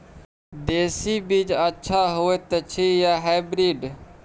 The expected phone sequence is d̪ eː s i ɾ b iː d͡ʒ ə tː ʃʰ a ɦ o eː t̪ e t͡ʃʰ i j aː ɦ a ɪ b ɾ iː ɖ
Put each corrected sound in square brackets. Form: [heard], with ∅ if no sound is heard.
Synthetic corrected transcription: d̪ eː s i [∅] b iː d͡ʒ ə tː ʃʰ a ɦ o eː t̪ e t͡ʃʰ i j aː ɦ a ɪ b ɾ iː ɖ